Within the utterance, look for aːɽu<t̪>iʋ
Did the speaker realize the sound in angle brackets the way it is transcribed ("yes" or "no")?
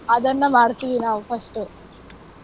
yes